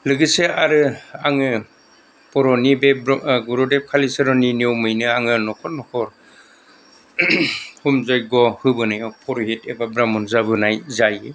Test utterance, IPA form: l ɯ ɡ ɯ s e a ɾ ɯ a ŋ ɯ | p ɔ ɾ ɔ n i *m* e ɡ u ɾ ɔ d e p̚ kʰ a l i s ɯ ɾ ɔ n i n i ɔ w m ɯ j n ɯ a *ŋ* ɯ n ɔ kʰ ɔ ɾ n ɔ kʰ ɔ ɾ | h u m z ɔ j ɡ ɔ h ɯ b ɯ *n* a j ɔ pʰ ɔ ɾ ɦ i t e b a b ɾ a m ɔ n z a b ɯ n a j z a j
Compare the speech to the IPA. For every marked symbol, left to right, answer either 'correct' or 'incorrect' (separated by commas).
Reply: incorrect, correct, correct